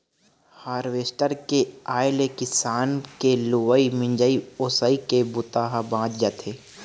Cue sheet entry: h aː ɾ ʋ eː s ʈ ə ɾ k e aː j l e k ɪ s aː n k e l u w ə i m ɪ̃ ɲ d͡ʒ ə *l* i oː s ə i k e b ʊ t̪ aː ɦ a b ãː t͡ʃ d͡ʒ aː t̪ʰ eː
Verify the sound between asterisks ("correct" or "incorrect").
incorrect